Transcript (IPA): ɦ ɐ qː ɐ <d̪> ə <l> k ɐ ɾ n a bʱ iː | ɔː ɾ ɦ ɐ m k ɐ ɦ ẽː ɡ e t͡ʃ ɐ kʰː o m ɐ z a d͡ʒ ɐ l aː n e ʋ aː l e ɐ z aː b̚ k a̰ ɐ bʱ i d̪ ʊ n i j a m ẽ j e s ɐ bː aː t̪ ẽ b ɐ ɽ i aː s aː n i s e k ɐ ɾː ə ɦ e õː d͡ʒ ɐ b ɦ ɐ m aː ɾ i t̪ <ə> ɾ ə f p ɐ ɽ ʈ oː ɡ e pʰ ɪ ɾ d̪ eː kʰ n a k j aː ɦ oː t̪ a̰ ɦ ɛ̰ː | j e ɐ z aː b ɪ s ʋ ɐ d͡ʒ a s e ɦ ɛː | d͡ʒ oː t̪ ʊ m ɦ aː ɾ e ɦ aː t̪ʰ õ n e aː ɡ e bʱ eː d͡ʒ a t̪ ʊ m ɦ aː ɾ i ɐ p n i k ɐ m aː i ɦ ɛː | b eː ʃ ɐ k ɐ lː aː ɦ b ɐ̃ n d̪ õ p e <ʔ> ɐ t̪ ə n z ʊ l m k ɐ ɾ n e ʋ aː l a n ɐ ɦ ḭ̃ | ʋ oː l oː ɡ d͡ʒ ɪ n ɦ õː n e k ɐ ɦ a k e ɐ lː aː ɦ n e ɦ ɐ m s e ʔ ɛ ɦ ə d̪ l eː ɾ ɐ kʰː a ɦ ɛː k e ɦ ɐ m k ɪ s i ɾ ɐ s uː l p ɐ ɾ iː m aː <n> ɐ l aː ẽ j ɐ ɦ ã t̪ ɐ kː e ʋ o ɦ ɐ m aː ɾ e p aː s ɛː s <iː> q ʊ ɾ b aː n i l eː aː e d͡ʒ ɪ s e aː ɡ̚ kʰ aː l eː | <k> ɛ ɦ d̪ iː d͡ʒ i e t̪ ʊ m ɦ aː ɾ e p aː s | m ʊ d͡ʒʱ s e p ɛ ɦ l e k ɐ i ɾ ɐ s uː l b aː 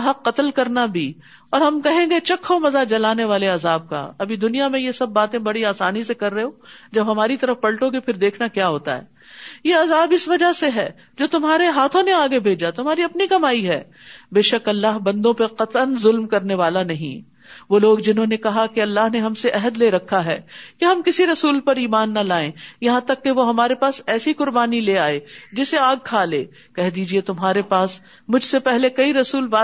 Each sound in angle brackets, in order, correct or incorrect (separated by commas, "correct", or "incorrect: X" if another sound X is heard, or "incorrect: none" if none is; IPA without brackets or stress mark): incorrect: t̪, correct, incorrect: ɐ, incorrect: q, incorrect: nː, incorrect: i, correct